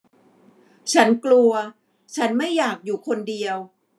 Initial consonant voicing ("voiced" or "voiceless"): voiceless